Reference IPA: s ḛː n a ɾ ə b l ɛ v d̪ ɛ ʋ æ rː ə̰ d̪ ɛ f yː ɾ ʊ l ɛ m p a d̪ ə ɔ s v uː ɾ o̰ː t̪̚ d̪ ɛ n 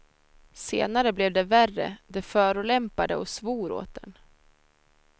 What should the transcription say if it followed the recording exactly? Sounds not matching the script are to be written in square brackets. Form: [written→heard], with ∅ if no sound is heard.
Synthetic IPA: s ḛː n a ɾ ə b l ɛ v d̪ ɛ [ʋ→v] æ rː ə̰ d̪ ɛ f [yː→œː] ɾ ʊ l ɛ m p a d̪ ə ɔ s v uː ɾ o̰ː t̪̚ d̪ ɛ n

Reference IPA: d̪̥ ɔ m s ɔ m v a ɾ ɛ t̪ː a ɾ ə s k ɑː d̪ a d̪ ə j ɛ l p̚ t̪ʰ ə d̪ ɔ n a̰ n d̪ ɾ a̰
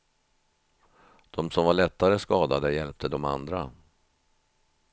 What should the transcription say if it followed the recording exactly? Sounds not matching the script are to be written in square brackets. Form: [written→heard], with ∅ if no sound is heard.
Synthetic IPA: d̪̥ ɔ m s ɔ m v a [ɾ→ɭ] ɛ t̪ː a ɾ ə s k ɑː d̪ a d̪ ə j ɛ l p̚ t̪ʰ ə d̪ ɔ [n→m] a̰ n d̪ ɾ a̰

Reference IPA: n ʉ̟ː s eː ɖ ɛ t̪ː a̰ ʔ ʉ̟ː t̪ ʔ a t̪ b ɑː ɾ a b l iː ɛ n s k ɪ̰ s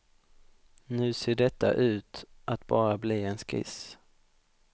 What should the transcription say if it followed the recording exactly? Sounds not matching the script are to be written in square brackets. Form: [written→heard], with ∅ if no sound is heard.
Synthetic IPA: n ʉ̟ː s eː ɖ ɛ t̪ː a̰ ʔ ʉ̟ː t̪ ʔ a t̪ b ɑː ɾ a b l iː ɛ n s k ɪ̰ s

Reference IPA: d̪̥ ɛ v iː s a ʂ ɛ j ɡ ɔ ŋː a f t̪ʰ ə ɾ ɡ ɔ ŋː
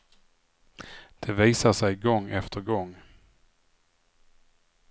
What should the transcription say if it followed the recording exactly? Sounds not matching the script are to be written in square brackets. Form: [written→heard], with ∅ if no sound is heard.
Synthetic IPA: d̪̥ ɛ v iː s a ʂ ɛ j ɡ ɔ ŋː [a→ɛ] f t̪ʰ ə ɾ ɡ ɔ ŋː

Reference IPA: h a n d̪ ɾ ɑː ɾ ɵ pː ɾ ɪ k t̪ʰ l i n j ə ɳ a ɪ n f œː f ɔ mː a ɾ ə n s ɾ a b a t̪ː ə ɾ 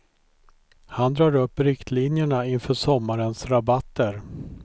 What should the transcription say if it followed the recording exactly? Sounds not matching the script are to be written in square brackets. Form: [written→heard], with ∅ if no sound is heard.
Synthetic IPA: h a n d̪ ɾ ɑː ɾ ɵ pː ɾ ɪ k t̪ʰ l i n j ə ɳ a ɪ n f œː [f→ʂ] ɔ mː a ɾ ə n s ɾ a b a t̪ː ə ɾ

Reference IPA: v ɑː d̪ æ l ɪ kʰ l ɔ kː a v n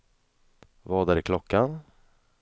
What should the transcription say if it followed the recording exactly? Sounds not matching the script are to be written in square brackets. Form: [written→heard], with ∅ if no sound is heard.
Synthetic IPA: v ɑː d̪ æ [l→ɾ] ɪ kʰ l ɔ kː a [v→∅] n

